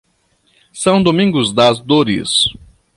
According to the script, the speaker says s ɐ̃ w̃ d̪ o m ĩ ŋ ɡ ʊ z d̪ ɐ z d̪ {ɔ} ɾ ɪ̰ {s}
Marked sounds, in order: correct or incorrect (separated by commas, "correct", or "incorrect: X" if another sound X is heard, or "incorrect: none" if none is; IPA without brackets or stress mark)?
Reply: incorrect: o, correct